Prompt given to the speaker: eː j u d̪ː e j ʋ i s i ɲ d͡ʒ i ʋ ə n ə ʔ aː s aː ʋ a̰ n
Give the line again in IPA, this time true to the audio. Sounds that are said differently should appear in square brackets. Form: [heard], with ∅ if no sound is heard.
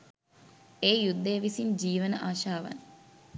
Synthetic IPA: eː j u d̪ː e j ʋ i s i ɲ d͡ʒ [iː] ʋ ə n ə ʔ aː [ʃ] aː ʋ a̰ n